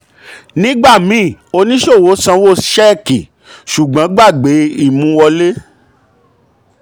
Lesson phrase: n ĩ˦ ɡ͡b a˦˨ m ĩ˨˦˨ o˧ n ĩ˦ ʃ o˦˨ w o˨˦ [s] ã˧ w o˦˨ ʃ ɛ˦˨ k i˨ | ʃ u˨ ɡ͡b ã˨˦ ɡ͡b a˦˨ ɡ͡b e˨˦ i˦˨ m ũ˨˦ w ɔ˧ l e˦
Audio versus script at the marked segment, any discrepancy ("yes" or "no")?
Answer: no